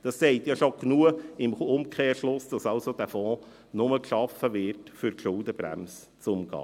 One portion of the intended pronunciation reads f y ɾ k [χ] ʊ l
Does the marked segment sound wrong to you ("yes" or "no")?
yes